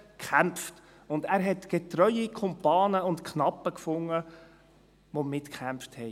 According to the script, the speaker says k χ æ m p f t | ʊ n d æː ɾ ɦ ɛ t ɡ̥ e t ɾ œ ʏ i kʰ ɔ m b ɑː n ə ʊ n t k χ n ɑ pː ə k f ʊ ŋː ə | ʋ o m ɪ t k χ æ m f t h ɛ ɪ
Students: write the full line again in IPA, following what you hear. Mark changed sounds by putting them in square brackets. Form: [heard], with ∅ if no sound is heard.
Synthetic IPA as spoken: k χ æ m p f t | ʊ n d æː ɾ ɦ ɛ t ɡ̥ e t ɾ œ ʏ i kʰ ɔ m [p] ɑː n ə ʊ n t k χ n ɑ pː ə k f ʊ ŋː ə | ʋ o m ɪ t k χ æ m f t h ɛ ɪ